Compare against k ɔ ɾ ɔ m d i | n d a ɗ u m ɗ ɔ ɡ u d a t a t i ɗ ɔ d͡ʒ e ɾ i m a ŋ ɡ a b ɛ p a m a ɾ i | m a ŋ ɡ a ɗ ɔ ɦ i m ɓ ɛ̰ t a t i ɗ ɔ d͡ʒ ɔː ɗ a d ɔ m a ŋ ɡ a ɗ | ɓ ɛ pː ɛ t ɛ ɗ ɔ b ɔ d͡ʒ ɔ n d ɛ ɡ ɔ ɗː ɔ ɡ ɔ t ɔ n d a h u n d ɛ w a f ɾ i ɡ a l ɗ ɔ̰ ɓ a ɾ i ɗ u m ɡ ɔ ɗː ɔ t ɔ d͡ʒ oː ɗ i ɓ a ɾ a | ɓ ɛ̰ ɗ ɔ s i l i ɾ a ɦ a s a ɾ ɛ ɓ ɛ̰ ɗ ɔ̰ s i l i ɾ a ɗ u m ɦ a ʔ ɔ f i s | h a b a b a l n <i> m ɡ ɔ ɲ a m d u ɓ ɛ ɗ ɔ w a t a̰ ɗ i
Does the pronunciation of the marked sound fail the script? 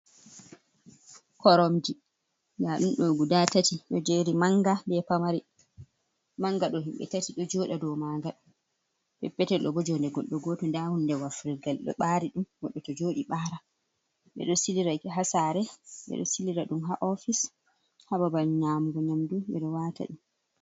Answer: yes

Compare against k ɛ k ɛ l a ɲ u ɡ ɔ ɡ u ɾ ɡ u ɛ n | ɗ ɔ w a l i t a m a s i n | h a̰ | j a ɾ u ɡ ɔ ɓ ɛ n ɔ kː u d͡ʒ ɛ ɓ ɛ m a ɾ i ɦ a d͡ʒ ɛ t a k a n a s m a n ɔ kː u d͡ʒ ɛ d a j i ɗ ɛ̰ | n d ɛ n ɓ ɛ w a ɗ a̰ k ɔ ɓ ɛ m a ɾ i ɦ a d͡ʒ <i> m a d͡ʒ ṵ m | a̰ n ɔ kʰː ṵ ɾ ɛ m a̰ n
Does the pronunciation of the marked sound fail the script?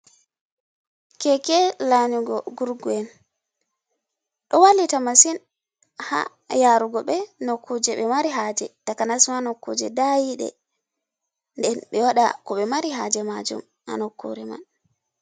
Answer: yes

